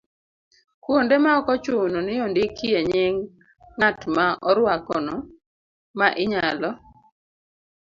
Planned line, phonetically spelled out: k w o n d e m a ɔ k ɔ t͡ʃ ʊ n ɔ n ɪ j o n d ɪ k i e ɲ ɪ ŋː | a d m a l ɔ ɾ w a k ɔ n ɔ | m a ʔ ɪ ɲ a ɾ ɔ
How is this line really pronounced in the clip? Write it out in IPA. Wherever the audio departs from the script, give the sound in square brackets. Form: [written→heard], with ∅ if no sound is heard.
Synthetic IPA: k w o n d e m a ɔ k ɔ t͡ʃ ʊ n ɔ n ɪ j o n d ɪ k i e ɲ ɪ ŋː | a [d→t] m a [l→∅] ɔ ɾ w a k ɔ n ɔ | m a ʔ ɪ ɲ a [ɾ→l] ɔ